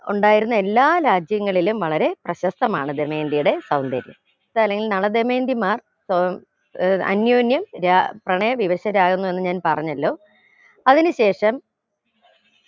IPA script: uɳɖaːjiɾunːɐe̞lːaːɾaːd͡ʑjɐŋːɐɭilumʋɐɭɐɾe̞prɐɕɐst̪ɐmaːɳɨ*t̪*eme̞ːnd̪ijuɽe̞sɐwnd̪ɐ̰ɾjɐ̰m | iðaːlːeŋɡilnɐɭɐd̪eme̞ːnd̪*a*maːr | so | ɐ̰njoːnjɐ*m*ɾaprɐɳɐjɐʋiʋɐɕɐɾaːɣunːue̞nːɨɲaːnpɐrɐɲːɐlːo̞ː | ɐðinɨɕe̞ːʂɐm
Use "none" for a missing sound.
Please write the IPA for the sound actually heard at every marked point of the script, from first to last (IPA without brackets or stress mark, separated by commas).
d̪, i, m